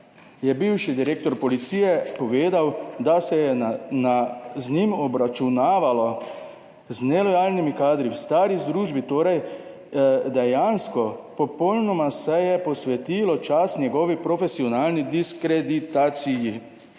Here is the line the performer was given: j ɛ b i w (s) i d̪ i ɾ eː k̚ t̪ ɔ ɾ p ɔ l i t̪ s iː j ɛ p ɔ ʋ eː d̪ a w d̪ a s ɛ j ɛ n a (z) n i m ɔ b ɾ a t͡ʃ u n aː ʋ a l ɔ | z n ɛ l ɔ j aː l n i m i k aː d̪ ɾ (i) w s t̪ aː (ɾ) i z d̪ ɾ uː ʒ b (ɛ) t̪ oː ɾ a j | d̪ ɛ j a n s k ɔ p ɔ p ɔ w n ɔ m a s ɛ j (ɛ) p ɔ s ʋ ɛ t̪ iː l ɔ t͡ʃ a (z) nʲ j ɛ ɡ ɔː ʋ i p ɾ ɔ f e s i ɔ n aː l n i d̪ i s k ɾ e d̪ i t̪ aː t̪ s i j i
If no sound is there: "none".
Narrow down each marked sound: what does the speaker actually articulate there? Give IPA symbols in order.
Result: ʃ, z, i, ɾ, i, ɛ, s

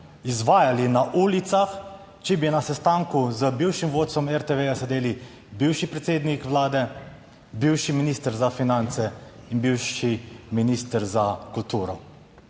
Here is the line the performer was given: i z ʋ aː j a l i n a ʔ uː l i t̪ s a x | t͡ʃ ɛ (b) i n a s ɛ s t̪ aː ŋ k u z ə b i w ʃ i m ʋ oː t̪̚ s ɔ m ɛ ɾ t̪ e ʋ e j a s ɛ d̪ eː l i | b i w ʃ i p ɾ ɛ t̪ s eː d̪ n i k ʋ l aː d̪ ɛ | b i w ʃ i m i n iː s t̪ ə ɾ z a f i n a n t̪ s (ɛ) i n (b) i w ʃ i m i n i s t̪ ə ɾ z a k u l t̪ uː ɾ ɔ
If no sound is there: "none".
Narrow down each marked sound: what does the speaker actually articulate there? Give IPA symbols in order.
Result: b, ɛ, b

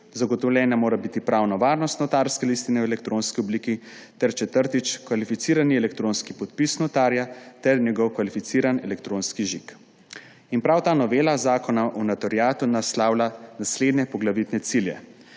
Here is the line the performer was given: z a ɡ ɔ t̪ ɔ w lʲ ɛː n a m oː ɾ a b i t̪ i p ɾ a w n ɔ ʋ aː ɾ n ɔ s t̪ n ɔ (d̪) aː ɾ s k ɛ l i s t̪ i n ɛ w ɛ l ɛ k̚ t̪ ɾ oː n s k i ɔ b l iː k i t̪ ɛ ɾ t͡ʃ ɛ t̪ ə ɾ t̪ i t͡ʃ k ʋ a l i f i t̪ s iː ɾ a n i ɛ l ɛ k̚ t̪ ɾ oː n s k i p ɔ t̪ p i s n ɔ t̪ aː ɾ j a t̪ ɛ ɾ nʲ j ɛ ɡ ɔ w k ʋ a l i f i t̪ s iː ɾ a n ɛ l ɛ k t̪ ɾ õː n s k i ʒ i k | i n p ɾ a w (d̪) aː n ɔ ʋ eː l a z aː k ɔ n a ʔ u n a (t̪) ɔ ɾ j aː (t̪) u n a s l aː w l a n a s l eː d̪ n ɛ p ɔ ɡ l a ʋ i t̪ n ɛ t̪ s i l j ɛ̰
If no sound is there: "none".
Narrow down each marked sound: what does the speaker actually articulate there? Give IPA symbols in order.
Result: t̪, t̪, t̪, t̪

